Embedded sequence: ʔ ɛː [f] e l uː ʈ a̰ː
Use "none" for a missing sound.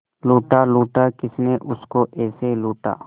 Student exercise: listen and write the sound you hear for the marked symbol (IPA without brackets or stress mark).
s